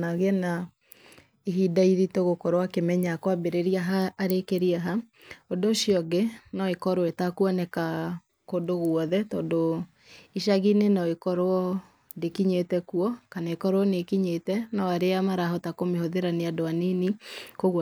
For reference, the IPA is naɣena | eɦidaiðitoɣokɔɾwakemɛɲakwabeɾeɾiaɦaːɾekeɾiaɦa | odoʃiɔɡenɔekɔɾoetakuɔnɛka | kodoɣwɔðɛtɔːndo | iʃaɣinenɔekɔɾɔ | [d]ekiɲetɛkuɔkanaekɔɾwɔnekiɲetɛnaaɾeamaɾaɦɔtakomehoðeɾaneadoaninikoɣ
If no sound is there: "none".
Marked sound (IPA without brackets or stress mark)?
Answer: d